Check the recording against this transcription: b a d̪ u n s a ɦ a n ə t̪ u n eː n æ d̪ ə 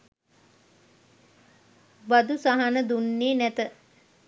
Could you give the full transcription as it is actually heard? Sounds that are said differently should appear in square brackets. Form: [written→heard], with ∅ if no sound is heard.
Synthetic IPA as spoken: b a d̪ u [n→∅] s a ɦ a n ə [t̪→d̪] u [n→nː] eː n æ [d̪→t̪] ə